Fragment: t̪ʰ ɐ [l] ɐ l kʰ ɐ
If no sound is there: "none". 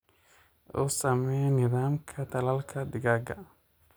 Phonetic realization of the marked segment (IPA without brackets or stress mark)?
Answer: l